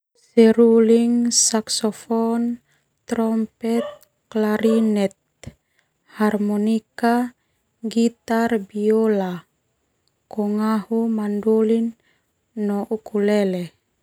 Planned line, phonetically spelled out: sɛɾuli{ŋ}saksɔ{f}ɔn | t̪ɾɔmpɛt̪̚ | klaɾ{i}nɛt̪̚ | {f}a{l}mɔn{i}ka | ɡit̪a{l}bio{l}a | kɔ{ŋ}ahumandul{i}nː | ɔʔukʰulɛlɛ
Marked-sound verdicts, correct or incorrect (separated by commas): correct, correct, correct, incorrect, incorrect, correct, incorrect, correct, correct, correct